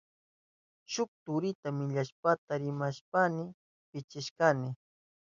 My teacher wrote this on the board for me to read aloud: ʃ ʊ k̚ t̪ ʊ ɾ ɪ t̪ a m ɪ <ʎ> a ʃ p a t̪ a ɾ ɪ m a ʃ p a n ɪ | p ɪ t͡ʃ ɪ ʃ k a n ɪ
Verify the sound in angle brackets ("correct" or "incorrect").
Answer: correct